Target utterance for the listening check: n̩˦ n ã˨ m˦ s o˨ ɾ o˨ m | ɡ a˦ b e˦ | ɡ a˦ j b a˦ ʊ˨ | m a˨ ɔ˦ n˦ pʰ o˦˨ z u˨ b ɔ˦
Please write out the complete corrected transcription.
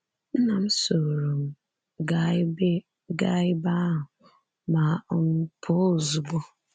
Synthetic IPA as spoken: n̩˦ n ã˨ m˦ s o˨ ɾ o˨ m | ɡ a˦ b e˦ | ɡ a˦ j b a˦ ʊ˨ | m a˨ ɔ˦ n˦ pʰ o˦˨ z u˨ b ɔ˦

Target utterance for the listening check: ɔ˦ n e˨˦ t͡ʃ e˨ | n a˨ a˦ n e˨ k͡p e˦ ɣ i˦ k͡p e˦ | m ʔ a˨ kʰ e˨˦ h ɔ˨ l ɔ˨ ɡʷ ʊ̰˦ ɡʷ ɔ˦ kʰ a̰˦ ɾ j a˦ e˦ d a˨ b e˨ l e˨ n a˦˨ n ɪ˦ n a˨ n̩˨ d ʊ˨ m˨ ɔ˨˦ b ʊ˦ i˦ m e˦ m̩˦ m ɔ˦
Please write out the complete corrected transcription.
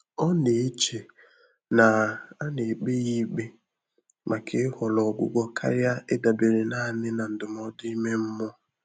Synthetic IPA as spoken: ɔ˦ n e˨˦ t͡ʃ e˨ | n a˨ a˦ n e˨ k͡p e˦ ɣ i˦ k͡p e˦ | m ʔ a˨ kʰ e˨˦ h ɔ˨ l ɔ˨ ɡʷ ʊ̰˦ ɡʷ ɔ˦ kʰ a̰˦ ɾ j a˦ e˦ d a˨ b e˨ ɾ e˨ n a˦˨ n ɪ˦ n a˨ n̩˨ d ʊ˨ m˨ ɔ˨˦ d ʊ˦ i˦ m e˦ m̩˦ m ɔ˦

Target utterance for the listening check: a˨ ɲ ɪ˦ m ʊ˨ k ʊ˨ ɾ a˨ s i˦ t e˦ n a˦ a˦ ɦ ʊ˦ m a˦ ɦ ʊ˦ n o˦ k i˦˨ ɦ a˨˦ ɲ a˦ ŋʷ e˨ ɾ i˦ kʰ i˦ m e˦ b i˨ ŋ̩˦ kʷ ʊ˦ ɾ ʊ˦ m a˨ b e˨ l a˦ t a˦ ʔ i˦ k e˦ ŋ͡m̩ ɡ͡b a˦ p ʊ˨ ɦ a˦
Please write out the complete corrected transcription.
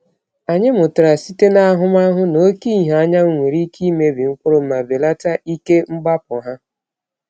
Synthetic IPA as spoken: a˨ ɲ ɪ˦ m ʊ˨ t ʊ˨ ɾ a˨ s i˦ t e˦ n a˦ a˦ ɦ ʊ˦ m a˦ ɦ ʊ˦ n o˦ k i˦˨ ɦ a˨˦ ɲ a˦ ŋʷ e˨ ɾ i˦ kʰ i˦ m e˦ b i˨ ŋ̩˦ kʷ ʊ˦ ɾ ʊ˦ m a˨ b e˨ l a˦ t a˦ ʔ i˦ k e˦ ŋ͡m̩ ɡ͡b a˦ p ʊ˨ ɦ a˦

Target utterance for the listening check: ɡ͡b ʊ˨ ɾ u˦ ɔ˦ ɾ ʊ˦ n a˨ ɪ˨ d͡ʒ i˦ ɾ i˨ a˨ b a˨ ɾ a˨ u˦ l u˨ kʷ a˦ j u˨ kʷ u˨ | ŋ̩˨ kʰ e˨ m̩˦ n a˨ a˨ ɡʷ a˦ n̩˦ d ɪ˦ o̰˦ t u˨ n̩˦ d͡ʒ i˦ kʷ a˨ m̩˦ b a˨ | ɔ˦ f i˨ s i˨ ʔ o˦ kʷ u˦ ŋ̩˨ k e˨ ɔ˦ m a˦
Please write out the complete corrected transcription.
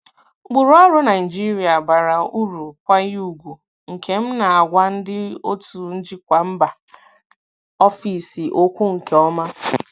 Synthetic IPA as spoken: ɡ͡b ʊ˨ ɾ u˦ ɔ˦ ɾ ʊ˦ n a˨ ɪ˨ d͡ʒ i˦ ɾ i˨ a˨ b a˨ ɾ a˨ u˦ ɾ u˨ kʷ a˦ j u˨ ɡʷ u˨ | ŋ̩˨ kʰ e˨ m̩˦ n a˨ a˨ ɡʷ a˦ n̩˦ d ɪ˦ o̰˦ t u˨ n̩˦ d͡ʒ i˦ kʷ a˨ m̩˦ b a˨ | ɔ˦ f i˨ s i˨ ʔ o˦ kʷ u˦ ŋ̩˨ k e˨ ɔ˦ m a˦

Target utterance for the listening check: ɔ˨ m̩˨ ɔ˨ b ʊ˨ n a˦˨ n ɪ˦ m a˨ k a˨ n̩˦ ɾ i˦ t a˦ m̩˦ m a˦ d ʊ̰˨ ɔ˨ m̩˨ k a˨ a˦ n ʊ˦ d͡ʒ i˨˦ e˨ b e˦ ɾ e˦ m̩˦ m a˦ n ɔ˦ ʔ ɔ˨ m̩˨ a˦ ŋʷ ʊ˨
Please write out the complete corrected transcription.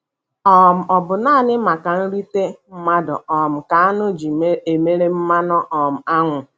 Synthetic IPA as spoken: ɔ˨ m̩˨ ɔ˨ b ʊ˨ n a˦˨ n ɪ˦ m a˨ k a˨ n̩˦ ɾ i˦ t e˦ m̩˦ m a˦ d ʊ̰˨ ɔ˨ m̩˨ k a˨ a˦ n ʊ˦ d͡ʒ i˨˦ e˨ m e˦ ɾ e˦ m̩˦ m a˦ n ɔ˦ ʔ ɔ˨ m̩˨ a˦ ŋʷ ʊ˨

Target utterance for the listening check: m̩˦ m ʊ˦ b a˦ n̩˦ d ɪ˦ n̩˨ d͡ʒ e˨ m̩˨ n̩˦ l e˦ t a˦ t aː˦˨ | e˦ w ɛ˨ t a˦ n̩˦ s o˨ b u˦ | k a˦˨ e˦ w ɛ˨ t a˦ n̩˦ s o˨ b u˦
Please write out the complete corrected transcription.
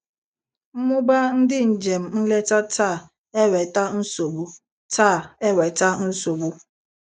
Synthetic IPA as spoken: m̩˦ m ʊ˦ b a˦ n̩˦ d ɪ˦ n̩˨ d͡ʒ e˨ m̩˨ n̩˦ l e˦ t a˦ t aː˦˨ | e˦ w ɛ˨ t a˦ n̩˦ s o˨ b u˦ | t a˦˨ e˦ w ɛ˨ t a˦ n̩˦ s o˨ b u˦

